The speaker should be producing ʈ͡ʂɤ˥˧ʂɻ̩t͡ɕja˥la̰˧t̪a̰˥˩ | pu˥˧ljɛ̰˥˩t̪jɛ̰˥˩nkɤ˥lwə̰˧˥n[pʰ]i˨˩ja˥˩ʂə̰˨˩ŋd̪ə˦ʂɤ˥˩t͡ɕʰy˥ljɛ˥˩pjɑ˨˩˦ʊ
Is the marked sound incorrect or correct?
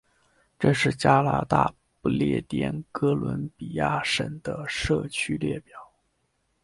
incorrect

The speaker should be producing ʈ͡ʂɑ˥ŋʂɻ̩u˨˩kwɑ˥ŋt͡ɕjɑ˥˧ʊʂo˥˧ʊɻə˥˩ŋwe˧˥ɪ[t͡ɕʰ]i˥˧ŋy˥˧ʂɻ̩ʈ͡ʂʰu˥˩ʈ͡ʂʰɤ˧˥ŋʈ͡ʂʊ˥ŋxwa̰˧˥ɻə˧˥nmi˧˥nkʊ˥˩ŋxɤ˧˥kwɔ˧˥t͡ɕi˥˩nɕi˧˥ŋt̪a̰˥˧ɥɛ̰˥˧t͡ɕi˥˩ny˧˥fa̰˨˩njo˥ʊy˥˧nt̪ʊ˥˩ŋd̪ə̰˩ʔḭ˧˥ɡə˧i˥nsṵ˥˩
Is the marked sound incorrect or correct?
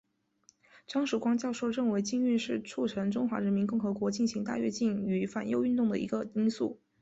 incorrect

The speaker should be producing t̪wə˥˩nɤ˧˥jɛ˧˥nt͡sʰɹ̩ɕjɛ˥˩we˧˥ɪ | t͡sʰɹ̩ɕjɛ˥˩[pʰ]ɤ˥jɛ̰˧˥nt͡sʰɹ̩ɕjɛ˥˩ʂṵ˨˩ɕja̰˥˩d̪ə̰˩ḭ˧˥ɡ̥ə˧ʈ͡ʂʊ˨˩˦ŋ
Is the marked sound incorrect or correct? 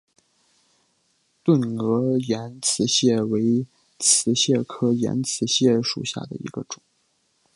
incorrect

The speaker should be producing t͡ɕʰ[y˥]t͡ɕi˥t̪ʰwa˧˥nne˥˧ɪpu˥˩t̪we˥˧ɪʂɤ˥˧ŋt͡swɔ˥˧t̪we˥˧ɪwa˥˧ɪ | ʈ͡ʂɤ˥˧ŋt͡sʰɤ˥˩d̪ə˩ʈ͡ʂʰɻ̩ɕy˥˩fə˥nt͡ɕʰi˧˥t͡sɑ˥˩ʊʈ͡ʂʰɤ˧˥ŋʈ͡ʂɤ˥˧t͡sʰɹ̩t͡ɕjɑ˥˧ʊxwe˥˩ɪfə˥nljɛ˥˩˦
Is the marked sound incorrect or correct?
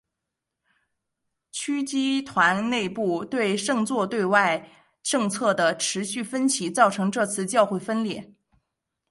correct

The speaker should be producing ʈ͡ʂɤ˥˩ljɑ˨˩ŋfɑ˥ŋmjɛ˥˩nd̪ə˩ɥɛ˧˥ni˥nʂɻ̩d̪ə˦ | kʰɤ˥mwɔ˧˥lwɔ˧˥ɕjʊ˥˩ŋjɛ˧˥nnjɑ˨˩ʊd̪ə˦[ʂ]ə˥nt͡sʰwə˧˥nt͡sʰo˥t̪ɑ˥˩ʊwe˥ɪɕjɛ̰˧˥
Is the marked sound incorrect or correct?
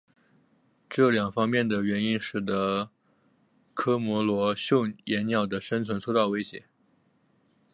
correct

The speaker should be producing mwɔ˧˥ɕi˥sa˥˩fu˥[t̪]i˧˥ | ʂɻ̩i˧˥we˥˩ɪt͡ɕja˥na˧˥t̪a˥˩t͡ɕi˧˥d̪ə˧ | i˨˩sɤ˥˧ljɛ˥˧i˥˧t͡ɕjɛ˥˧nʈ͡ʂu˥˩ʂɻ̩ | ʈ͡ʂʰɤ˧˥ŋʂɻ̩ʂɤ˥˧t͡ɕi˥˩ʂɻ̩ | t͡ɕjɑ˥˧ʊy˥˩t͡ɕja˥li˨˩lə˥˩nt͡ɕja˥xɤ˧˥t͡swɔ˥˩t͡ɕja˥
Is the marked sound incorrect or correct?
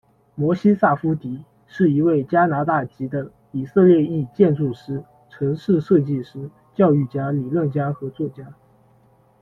correct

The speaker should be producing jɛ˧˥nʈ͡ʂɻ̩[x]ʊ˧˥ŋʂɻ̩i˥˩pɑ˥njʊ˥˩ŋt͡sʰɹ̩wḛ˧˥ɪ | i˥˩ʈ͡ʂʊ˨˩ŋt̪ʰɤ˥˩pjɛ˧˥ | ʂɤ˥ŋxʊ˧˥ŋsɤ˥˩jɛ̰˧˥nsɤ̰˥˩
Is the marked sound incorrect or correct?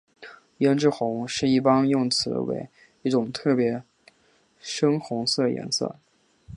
correct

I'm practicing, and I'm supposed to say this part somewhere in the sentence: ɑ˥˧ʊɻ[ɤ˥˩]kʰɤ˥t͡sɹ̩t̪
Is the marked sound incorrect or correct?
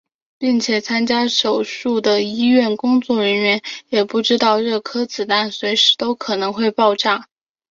correct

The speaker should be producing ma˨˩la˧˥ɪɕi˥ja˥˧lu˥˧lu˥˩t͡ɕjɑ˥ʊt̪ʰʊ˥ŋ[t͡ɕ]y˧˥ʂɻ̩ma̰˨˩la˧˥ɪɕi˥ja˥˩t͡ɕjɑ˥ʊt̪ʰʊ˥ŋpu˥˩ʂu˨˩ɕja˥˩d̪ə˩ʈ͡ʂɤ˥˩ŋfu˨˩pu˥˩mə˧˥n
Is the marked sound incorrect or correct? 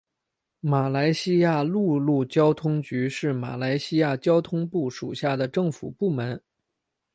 correct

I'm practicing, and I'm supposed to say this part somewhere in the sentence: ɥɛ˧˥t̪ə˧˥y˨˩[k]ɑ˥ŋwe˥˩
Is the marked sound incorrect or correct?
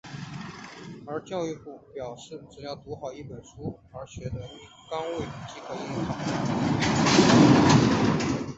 correct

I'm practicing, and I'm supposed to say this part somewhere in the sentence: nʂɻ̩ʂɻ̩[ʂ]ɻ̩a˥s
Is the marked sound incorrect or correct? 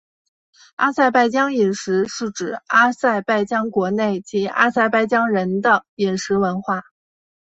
incorrect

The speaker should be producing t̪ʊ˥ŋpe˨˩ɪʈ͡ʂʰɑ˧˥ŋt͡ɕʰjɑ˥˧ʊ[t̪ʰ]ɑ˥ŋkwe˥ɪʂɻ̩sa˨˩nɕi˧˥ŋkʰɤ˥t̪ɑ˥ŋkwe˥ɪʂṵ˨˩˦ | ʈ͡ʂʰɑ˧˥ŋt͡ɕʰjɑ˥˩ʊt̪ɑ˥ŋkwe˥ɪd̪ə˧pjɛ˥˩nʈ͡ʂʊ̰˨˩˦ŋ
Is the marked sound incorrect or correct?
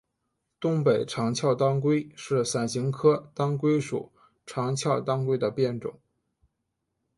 incorrect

